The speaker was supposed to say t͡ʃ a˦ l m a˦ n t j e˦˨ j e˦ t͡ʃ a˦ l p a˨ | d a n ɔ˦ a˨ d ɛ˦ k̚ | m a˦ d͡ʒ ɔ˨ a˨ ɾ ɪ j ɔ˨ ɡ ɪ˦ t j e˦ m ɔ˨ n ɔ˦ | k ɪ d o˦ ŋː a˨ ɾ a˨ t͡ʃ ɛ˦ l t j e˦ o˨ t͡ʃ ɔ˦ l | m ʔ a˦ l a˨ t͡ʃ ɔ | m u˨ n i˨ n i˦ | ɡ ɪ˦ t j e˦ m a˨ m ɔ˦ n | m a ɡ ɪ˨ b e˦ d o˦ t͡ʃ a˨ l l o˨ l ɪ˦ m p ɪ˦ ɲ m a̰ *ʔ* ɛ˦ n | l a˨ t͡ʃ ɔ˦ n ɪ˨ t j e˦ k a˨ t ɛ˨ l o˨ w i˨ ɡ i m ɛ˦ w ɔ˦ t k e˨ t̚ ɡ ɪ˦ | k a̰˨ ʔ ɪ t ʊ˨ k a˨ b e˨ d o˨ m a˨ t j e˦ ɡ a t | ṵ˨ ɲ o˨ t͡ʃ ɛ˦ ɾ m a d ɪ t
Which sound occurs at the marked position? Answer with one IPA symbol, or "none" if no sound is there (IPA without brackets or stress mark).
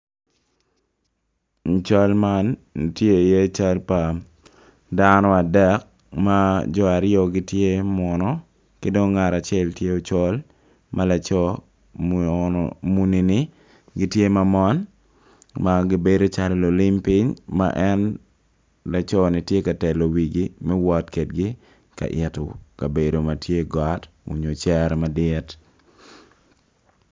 ʔ